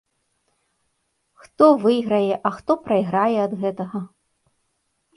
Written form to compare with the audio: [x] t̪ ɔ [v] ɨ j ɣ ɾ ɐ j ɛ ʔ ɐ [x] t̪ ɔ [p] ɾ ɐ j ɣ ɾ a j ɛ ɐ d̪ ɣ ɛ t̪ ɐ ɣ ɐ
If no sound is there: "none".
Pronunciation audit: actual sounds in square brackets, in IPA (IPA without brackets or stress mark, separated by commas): x, v, x, p